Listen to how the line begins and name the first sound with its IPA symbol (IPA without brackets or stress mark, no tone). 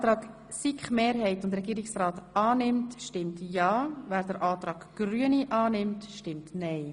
t